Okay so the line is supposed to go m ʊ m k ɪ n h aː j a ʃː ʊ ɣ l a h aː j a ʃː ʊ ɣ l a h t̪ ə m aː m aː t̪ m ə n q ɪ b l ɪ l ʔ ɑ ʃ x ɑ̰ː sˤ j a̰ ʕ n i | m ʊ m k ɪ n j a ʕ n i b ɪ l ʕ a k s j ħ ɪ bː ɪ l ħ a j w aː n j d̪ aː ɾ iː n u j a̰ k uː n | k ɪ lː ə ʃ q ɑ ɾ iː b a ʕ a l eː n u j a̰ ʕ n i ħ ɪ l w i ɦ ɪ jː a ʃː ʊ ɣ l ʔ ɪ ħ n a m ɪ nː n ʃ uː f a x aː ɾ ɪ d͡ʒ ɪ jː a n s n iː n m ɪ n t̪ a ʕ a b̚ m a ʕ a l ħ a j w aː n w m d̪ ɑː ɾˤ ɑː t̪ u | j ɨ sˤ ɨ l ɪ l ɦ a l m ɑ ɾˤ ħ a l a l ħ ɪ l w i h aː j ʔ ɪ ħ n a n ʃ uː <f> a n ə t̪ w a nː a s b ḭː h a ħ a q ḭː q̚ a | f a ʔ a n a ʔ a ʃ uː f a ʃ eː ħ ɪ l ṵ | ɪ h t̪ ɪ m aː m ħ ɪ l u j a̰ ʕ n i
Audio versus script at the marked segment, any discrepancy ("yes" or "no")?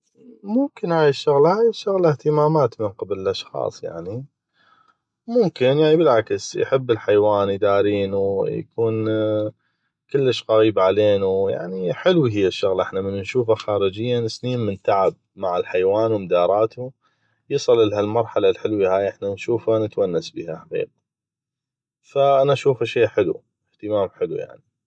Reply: no